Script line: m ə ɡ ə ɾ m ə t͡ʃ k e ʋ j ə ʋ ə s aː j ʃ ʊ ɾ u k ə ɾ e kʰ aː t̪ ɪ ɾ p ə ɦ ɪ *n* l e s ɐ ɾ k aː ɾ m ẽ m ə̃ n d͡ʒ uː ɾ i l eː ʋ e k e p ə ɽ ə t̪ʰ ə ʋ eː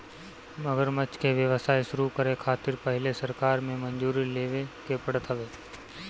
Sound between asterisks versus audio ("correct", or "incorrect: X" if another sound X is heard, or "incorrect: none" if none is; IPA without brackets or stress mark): incorrect: none